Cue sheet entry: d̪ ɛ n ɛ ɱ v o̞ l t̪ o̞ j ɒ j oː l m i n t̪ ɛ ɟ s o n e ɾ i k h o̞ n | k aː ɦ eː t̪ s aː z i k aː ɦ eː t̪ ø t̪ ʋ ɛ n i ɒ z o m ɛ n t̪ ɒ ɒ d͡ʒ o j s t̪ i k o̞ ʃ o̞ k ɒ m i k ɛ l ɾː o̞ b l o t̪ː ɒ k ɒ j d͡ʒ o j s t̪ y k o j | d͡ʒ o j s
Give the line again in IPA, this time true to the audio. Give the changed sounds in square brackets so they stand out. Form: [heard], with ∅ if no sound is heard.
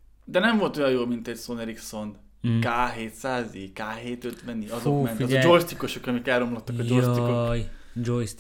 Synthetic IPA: d̪ ɛ n ɛ ɱ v o̞ l t̪ o̞ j ɒ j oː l m i n t̪ ɛ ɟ s o n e ɾ i k [s] o̞ n | k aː ɦ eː t̪ s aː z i k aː ɦ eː t̪ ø t̪ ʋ ɛ n i ɒ z o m ɛ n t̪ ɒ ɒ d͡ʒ o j s t̪ i k o̞ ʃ o̞ k ɒ m i k ɛ l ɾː o̞ [m] l o t̪ː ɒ k ɒ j d͡ʒ o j s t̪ [i] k o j | d͡ʒ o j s